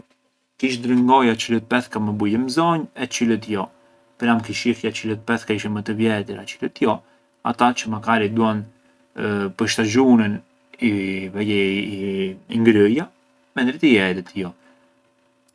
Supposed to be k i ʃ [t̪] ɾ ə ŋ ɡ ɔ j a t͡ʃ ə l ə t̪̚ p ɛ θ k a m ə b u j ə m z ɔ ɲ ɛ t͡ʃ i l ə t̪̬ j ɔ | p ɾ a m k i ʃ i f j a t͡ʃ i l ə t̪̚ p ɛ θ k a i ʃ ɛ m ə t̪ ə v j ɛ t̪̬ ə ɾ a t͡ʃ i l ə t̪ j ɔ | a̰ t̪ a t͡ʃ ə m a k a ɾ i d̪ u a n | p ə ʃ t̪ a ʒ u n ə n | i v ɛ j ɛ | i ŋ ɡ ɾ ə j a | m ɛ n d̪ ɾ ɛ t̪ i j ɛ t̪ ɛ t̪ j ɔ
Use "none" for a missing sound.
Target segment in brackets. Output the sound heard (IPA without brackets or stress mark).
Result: d̪